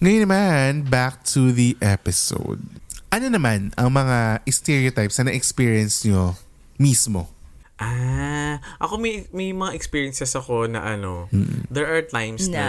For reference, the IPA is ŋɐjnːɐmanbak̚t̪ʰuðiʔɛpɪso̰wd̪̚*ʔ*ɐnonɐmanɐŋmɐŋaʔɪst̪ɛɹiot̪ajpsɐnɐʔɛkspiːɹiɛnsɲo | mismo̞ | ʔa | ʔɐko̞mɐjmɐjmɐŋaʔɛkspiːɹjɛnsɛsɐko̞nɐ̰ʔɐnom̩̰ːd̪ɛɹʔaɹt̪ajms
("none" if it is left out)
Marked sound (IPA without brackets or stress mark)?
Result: ʔ